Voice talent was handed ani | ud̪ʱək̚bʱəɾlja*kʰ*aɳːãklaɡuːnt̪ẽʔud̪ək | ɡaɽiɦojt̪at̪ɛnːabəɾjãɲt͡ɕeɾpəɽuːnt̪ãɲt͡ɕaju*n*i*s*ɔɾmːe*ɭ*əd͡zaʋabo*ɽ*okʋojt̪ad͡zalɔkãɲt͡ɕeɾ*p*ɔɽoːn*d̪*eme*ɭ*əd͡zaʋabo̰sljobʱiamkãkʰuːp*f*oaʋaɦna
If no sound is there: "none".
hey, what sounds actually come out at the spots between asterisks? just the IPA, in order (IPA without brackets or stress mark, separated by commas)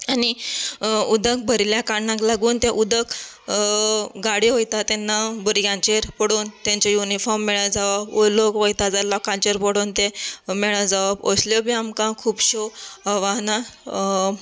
k, n, f, ɭ, l, p, t̪, ɭ, ɕ